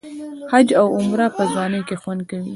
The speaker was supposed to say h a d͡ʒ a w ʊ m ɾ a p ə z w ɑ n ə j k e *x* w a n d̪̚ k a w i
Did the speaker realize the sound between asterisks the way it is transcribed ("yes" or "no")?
yes